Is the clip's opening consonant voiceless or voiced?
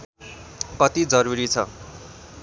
voiceless